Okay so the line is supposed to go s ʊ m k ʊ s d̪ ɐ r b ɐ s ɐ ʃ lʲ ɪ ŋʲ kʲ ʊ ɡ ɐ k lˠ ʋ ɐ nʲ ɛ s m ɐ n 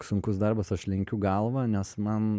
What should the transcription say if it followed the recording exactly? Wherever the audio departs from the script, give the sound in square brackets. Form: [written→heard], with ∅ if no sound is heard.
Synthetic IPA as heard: s ʊ [m→ŋ] k ʊ s d̪ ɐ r b ɐ s ɐ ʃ lʲ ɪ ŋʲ kʲ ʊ ɡ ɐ [k→∅] lˠ ʋ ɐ nʲ ɛ s m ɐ n